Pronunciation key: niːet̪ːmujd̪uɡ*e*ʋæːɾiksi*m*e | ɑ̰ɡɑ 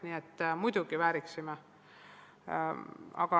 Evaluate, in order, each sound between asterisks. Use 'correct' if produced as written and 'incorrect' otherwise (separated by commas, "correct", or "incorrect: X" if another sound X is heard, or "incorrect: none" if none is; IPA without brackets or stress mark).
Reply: incorrect: i, correct